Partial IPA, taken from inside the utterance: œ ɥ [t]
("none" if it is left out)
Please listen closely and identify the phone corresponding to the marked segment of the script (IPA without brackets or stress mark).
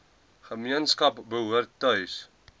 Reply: s